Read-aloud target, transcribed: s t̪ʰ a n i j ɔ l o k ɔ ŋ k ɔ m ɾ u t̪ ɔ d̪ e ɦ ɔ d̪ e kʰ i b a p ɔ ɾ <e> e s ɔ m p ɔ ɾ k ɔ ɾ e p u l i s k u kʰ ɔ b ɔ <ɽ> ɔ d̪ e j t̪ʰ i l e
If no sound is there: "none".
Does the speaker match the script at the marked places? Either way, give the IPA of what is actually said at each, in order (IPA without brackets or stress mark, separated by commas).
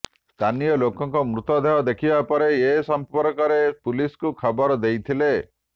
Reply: e, ɾ